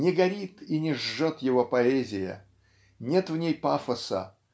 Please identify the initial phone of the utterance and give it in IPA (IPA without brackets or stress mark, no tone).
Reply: nʲ